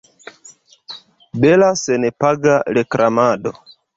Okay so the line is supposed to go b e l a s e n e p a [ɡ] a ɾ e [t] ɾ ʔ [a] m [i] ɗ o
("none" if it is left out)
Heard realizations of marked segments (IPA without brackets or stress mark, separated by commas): ɡ, k, a, a